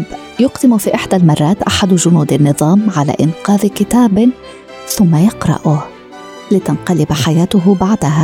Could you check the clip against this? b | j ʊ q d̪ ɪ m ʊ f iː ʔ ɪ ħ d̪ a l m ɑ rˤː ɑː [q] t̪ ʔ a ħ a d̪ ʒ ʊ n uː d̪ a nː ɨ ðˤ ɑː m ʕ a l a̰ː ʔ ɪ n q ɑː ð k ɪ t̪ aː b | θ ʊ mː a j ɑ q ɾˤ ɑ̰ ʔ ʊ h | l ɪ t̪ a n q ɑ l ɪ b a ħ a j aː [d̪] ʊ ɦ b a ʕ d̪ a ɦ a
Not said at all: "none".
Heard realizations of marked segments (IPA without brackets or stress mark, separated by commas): none, t̪